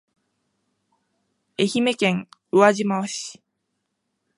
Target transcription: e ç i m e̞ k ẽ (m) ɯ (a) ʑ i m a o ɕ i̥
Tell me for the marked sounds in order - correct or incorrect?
incorrect: ŋ, correct

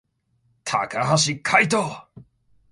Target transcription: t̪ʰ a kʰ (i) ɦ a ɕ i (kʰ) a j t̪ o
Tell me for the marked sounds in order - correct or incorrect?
incorrect: a, correct

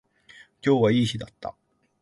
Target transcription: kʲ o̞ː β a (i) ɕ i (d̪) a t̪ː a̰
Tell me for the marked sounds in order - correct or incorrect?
incorrect: iː, correct

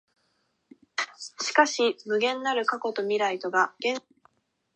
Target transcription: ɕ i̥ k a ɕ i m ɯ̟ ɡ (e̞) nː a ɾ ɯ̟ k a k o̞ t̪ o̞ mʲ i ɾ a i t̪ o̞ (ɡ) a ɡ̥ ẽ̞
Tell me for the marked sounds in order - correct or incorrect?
incorrect: ẽ̞, correct

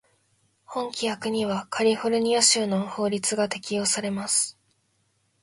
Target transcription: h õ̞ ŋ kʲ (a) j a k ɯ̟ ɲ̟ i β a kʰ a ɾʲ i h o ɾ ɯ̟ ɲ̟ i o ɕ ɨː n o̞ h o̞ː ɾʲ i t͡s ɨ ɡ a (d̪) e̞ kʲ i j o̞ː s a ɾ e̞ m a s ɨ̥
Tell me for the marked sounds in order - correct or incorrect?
incorrect: i, incorrect: t̪

